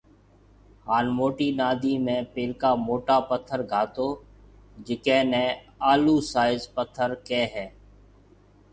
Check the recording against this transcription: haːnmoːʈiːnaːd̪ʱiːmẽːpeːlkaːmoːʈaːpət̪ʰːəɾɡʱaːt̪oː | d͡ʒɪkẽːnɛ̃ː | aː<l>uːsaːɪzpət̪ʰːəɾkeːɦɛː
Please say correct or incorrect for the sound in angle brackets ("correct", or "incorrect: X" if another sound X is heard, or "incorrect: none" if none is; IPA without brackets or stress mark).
correct